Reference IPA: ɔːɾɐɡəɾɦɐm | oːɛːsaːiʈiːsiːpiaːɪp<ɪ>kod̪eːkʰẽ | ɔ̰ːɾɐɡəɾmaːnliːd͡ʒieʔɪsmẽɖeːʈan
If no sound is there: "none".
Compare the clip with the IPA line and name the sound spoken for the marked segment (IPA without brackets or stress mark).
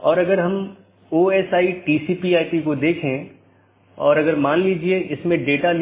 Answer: i